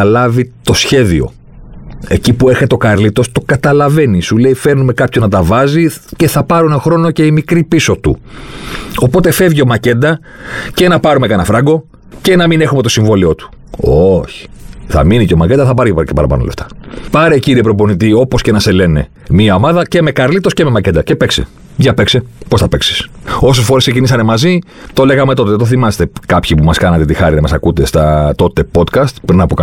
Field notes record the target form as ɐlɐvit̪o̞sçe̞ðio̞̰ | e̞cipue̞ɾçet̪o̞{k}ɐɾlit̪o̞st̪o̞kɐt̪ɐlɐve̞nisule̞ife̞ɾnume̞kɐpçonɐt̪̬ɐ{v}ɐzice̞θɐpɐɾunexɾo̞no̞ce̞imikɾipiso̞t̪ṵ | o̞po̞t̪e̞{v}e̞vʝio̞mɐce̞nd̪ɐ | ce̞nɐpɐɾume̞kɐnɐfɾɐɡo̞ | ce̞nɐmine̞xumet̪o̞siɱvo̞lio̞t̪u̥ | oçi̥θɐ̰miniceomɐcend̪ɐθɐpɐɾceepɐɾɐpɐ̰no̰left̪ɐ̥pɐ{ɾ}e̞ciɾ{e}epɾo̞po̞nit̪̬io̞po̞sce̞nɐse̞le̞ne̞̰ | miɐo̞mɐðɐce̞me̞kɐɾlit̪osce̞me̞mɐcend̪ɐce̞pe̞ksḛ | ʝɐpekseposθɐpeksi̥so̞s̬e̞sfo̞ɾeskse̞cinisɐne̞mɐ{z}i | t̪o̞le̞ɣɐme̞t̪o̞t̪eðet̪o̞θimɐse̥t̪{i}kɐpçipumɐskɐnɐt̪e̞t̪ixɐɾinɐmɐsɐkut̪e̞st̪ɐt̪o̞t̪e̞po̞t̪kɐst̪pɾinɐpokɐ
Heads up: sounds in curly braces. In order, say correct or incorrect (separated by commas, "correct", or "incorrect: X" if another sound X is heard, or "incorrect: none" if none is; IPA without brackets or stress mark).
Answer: correct, correct, incorrect: f, correct, incorrect: i, correct, incorrect: e